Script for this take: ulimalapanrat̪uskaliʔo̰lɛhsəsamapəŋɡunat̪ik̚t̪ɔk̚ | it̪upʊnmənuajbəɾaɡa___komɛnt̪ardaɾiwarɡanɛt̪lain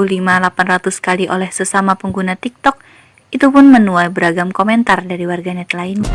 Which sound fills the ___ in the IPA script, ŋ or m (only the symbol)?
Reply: m